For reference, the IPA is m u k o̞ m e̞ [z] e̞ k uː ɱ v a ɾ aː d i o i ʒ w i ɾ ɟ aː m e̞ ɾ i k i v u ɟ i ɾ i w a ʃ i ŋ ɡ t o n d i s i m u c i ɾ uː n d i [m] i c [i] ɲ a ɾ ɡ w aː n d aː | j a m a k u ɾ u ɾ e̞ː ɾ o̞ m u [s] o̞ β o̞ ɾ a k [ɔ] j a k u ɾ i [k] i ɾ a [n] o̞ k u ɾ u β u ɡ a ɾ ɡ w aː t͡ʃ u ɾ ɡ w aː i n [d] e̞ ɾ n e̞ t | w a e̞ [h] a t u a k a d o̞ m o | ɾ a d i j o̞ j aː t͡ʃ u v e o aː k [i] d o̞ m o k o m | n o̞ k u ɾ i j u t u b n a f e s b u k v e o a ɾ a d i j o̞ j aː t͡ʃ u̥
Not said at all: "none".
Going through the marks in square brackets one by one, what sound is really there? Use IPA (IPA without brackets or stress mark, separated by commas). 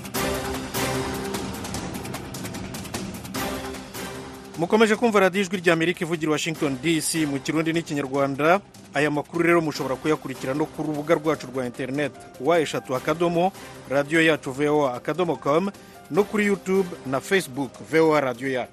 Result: ʒ, n, i, ʃ, u, c, n, t, ʃ, a